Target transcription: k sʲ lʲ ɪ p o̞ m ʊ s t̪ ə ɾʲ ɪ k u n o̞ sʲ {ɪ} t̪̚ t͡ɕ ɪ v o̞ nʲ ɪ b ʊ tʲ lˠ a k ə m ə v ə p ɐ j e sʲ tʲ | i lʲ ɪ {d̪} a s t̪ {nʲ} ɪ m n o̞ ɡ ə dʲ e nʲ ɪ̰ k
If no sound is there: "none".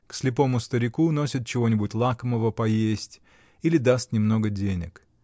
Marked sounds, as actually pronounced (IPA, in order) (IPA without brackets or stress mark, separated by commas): ɪ, d̪, nʲ